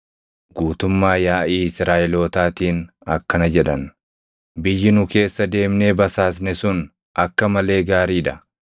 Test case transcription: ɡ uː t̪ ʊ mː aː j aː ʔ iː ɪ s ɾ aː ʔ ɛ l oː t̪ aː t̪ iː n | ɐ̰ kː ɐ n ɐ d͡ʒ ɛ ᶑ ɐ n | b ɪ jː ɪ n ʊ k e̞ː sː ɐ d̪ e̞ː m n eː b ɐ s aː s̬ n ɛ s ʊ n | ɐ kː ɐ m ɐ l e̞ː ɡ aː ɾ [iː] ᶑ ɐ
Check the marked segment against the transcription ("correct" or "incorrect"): correct